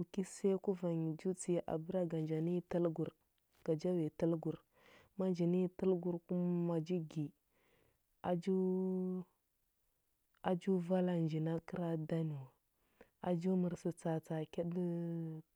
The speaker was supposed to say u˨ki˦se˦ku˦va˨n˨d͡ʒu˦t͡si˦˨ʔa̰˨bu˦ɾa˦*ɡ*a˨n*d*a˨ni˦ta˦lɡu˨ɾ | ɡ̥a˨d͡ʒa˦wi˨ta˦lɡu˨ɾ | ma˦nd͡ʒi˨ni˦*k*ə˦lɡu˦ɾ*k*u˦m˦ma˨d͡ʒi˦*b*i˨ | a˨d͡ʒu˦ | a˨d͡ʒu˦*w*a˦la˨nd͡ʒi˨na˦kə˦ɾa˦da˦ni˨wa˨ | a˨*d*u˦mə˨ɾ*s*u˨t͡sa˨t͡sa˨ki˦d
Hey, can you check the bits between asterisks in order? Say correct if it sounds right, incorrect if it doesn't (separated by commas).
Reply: correct, incorrect, incorrect, correct, incorrect, incorrect, incorrect, correct